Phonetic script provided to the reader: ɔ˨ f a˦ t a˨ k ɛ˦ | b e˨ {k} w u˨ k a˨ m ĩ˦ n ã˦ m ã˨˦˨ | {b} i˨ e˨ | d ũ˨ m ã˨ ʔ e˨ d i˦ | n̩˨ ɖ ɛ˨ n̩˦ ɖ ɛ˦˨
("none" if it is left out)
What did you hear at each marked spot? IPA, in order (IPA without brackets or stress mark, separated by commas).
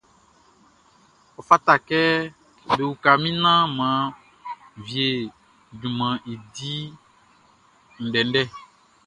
none, v